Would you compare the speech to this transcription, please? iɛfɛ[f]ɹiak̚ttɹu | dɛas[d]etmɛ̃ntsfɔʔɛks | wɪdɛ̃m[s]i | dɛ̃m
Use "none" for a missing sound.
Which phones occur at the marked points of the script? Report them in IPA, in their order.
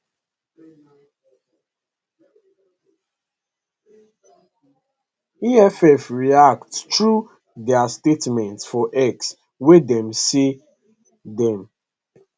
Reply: f, t, s

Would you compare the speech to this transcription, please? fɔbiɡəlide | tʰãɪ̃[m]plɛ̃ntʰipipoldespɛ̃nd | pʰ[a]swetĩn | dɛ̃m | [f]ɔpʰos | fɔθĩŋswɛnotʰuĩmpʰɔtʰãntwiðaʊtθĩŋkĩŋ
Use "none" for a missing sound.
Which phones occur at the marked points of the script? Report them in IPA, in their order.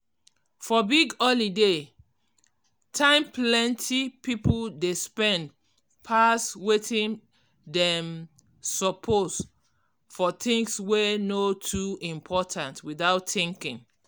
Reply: m, a, s

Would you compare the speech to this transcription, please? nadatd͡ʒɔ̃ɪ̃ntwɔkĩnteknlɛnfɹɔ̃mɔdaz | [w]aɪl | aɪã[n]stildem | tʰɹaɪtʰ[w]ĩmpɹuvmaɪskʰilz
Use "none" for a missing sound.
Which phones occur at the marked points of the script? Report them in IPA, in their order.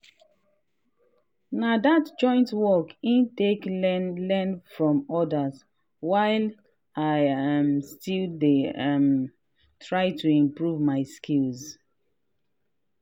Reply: w, m, u

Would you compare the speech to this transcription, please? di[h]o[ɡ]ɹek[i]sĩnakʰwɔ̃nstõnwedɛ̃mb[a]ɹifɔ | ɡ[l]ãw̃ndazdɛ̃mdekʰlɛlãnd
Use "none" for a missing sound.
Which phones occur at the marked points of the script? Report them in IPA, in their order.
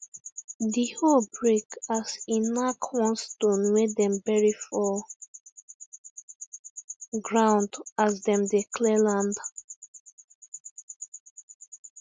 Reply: h, b, a, ɛ, ɹ

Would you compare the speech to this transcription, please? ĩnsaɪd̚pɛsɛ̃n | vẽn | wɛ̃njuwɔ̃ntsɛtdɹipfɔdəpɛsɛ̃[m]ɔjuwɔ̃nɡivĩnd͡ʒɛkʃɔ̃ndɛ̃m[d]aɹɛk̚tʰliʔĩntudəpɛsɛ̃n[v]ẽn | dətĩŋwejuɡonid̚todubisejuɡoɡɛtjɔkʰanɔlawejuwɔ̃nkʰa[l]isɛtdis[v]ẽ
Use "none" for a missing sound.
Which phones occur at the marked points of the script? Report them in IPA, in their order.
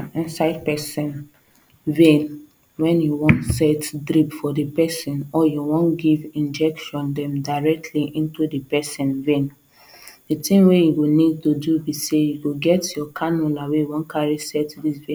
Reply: n, d, v, ɹ, v

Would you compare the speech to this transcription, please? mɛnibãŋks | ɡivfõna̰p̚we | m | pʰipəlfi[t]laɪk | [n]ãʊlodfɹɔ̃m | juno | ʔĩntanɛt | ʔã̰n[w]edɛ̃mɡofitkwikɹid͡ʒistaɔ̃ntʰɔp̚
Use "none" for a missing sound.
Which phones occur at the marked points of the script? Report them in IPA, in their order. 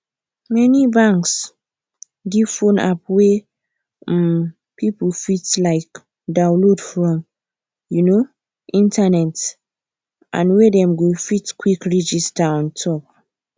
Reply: t, d, w

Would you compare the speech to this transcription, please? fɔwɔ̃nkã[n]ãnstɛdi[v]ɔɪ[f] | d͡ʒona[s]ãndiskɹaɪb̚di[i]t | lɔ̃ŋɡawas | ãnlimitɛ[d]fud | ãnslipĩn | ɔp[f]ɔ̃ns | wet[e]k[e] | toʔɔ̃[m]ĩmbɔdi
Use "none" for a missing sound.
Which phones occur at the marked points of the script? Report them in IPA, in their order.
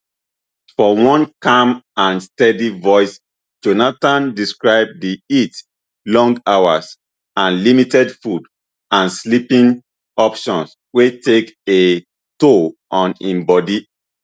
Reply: m, v, s, t, i, d, ʃ, e, e, n

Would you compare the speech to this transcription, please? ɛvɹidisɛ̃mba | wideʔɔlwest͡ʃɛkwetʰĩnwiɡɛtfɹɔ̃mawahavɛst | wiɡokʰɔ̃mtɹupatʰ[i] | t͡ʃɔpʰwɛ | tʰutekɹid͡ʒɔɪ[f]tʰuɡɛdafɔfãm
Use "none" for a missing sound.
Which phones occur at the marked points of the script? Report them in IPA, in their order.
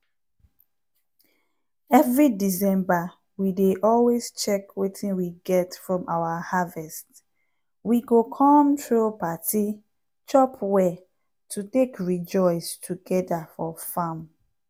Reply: i, s

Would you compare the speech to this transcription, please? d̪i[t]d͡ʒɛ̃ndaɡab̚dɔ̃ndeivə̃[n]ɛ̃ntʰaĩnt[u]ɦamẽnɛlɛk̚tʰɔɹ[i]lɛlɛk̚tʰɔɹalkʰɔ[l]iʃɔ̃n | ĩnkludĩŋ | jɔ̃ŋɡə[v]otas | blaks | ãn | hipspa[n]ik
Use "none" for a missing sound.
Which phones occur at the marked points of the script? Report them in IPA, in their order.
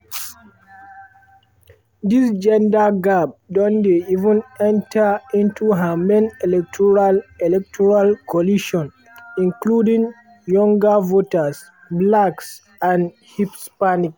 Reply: s, n, u, a, l, v, n

